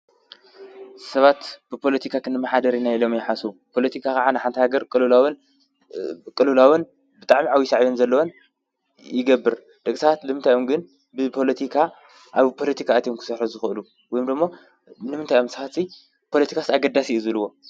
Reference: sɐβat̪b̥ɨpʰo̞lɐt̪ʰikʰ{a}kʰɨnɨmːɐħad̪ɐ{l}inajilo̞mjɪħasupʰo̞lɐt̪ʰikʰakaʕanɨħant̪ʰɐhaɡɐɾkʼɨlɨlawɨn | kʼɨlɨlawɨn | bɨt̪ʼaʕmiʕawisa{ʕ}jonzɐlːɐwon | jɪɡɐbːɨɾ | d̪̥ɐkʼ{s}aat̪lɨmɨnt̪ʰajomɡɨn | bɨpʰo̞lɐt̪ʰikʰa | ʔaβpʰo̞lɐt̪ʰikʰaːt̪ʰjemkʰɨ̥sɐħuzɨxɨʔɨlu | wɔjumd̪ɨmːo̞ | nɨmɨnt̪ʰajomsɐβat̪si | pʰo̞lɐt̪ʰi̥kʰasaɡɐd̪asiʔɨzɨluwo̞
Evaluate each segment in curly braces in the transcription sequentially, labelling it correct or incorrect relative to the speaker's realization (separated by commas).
correct, incorrect, correct, correct